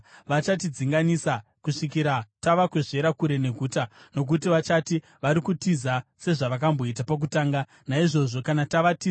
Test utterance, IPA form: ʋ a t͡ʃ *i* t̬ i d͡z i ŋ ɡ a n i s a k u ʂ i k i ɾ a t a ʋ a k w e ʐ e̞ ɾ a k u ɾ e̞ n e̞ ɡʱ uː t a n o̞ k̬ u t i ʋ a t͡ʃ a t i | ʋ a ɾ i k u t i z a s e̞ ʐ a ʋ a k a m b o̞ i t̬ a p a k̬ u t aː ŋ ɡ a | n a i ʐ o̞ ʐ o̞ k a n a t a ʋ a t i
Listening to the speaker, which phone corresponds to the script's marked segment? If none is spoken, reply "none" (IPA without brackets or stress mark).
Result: a